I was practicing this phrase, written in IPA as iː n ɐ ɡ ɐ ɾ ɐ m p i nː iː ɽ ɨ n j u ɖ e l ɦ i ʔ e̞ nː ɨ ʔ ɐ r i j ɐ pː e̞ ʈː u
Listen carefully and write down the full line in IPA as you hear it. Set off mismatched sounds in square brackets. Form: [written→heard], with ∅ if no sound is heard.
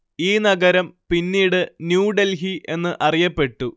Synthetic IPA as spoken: iː n ɐ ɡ ɐ ɾ ɐ m p i nː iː ɽ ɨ n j [u→uː] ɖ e l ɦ i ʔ e̞ nː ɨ ʔ ɐ r i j ɐ pː e̞ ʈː u